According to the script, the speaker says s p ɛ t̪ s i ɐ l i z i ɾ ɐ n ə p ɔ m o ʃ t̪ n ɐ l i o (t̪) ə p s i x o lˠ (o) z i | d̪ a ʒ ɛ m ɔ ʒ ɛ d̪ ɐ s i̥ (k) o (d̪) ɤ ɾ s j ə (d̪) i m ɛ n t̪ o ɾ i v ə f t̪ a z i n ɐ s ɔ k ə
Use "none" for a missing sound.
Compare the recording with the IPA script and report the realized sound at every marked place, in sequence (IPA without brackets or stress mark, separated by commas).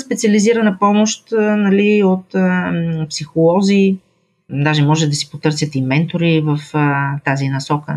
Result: t̪, ɔ, p, t̪, t̪